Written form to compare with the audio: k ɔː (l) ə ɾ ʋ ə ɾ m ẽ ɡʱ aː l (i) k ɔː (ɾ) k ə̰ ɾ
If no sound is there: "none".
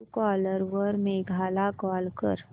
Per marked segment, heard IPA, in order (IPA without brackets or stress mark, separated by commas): l, a, l